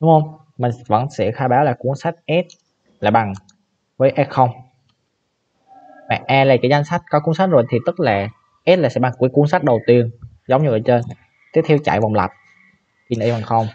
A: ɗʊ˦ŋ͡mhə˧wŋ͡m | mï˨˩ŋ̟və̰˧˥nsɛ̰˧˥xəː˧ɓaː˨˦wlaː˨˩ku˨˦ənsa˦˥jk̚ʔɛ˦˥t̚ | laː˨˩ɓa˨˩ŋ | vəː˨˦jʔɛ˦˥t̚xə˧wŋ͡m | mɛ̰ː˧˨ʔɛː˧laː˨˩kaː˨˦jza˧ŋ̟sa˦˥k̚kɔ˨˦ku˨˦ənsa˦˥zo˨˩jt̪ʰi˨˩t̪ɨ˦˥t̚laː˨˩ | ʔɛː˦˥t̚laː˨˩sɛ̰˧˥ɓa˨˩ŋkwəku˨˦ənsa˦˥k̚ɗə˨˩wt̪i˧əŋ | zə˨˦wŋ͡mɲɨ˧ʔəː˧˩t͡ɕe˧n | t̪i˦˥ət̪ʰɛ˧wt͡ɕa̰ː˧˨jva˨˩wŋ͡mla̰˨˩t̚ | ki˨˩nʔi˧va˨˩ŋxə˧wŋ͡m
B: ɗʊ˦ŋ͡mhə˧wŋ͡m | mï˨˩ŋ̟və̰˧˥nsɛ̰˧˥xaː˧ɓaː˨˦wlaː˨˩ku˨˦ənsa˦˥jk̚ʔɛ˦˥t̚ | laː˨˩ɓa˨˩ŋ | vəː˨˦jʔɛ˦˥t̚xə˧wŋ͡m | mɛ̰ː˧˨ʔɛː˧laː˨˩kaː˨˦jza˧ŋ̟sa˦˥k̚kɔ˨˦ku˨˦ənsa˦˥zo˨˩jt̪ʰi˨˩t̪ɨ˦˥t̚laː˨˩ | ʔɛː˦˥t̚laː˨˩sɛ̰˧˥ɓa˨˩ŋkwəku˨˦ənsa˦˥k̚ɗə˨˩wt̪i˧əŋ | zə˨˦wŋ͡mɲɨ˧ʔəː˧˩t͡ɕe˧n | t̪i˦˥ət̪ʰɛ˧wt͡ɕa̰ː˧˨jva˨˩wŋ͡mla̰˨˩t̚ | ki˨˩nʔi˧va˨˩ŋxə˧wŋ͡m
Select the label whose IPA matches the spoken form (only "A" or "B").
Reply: B